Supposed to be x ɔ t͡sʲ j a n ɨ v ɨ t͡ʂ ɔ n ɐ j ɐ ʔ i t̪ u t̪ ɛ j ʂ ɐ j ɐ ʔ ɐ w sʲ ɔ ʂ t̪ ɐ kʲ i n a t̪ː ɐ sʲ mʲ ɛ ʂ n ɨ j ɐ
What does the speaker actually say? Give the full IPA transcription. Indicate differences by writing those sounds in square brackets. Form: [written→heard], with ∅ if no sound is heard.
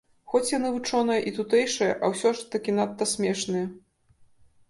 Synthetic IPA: x ɔ t͡sʲ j a n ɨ v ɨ t͡ʂ ɔ n ɐ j ɐ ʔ i t̪ u t̪ ɛ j ʂ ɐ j ɐ ʔ ɐ w sʲ ɔ ʂ t̪ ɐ kʲ i n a t̪ː ɐ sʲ mʲ ɛ ʂ n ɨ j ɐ